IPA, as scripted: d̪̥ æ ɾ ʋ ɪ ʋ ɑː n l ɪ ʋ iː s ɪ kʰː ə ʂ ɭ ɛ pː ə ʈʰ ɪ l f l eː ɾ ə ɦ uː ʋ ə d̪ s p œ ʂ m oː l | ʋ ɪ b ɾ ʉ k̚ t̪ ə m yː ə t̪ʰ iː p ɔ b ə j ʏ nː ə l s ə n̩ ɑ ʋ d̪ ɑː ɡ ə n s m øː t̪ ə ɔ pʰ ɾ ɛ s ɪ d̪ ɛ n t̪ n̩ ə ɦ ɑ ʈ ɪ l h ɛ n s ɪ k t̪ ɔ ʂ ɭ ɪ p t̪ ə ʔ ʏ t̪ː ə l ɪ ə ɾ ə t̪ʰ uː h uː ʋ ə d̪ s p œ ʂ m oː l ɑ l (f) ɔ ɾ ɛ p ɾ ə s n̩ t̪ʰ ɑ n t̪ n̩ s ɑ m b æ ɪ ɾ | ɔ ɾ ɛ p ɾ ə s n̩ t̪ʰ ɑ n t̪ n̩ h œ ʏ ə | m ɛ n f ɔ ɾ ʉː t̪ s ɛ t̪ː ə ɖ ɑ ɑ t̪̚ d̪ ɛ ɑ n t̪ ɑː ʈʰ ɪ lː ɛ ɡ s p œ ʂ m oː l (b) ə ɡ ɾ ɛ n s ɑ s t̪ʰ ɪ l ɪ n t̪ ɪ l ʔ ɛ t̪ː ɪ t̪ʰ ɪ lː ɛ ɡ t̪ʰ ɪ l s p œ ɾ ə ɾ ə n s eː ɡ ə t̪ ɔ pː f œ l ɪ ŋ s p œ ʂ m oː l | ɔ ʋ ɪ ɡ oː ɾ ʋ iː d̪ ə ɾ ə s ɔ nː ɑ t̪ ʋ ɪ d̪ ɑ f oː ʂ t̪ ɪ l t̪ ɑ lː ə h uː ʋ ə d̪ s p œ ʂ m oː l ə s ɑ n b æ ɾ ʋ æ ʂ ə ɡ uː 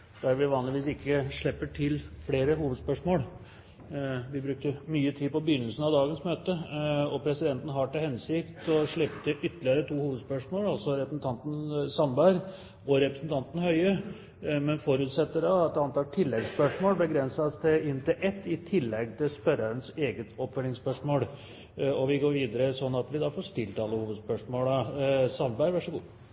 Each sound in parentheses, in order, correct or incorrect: incorrect, correct

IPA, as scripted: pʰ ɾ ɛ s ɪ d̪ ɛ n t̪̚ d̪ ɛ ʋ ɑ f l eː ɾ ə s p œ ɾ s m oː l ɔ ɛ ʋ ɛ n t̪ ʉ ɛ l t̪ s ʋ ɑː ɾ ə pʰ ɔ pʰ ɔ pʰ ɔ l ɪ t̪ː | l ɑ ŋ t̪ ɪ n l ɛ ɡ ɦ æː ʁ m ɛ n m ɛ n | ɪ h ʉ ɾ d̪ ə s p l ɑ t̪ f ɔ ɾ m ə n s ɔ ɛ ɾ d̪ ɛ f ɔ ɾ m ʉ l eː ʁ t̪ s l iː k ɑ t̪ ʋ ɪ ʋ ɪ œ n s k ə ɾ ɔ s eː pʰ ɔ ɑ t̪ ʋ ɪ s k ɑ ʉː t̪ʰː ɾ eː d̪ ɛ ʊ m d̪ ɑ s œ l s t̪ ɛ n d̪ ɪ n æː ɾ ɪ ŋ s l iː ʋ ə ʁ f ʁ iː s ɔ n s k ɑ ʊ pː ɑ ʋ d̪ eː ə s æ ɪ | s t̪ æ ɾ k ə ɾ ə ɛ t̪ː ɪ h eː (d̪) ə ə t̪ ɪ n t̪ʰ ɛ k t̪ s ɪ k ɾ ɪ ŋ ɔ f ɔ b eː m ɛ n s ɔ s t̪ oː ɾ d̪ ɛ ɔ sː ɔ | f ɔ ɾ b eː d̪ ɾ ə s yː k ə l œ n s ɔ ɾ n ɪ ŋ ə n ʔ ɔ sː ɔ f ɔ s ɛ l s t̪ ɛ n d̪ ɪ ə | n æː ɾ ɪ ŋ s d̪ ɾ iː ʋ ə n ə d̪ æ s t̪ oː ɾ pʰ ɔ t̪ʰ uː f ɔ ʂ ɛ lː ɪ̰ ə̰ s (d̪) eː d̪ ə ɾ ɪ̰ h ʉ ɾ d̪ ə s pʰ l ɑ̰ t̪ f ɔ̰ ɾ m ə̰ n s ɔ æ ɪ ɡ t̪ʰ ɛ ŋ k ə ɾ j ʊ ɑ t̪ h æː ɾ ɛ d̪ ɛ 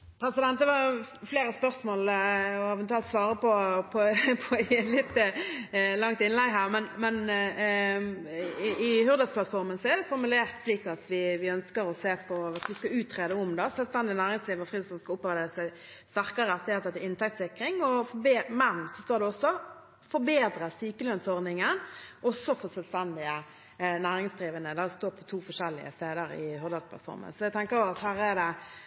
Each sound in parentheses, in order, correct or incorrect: incorrect, incorrect

